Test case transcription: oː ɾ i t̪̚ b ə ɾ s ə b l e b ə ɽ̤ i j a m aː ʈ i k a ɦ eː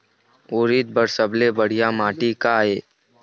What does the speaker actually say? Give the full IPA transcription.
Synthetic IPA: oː ɾ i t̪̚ b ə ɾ s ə b l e b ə ɽ̤ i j a m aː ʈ i k a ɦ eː